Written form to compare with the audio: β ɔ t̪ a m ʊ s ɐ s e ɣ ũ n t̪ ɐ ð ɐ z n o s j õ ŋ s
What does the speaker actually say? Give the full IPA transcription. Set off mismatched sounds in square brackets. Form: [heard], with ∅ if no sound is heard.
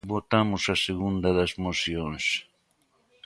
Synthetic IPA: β [o] t̪ a m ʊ s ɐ s e ɣ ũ n [d̪] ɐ ð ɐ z [m] o s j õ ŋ s